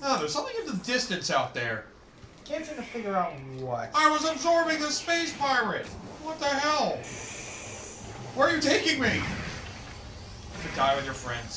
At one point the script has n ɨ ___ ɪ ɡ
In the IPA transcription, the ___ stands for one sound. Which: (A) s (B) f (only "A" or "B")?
B